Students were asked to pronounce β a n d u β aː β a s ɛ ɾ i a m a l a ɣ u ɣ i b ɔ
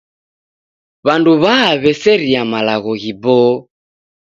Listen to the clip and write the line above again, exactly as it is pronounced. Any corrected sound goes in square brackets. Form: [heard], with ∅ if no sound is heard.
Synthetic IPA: β a n d u β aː β [ɛ] s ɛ ɾ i a m a l a ɣ [ɔ] ɣ i b ɔ

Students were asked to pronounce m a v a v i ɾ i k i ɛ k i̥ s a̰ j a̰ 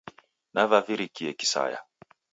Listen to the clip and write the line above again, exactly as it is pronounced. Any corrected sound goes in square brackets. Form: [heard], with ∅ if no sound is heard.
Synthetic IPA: [n] a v a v i ɾ i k i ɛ k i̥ s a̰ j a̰

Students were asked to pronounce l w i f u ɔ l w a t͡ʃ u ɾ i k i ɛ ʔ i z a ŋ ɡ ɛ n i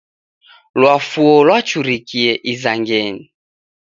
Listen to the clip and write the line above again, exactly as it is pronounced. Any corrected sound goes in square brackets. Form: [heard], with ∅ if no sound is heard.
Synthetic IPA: l w [a] f u ɔ l w a t͡ʃ u ɾ i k i ɛ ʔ i z a ŋ ɡ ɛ n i

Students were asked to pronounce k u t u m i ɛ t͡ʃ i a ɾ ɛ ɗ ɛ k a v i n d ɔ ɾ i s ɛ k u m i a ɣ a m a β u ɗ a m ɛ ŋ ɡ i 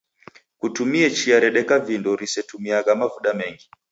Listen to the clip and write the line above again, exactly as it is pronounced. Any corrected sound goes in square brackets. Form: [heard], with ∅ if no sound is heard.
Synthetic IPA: k u t u m i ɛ t͡ʃ i a ɾ ɛ ɗ ɛ k a v i n d ɔ ɾ i s ɛ [t] u m i a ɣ a m a [v] u ɗ a m ɛ ŋ ɡ i

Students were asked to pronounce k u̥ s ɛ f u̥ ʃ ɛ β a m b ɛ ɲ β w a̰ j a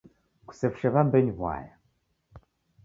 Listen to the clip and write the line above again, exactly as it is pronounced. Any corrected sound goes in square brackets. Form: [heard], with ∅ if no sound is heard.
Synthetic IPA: k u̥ s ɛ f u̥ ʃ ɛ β a m b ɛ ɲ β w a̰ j a

